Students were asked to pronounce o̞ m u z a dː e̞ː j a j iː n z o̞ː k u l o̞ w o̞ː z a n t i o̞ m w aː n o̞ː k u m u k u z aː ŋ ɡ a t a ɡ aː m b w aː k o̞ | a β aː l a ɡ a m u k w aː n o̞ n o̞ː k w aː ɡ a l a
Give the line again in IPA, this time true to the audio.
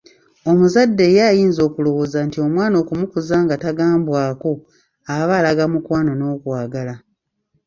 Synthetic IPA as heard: o̞ m u z a dː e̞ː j a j iː n z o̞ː k u l o̞ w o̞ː z a n t i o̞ m w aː n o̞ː k u m u k u z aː ŋ ɡ a t a ɡ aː m b w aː k o̞ | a β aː l a ɡ a m u k w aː n o̞ n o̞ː k w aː ɡ a l a